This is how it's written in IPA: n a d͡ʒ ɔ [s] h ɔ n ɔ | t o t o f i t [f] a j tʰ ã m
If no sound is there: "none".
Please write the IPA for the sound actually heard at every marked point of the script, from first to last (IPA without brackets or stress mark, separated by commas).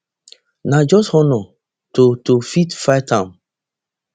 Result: s, f